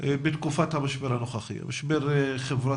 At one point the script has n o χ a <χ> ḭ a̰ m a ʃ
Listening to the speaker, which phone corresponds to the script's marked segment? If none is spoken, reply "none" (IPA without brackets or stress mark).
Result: χ